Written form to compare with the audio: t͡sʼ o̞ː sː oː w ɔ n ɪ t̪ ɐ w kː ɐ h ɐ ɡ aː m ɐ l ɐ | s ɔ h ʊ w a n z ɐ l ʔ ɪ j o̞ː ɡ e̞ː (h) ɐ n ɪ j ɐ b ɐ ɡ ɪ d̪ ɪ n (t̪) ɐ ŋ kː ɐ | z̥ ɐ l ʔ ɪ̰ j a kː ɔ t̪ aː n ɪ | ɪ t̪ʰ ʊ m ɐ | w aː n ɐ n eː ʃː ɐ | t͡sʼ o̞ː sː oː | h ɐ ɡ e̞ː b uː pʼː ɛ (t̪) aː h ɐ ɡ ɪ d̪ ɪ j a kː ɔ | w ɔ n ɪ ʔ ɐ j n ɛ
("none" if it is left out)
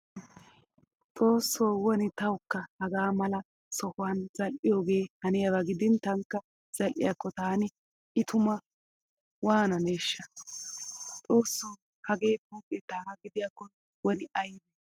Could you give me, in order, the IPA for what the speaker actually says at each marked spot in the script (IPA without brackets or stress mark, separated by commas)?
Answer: h, t̪, t̪